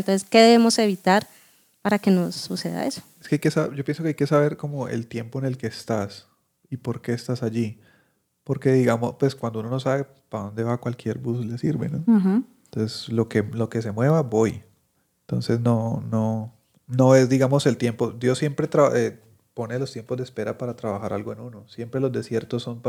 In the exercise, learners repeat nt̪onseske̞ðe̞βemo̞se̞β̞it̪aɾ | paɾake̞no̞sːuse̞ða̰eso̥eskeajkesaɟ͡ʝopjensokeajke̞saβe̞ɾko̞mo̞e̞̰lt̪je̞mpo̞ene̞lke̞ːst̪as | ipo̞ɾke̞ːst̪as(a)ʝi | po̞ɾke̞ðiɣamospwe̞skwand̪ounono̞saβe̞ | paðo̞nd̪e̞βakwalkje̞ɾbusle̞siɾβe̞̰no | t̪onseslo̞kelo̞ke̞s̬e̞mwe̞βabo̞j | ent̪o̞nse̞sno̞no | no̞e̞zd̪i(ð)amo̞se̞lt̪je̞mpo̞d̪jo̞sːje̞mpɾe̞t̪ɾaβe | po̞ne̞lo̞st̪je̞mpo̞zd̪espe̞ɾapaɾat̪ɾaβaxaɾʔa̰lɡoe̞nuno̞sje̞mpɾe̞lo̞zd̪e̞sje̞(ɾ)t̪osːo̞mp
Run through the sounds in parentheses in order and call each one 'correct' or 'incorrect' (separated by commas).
correct, incorrect, correct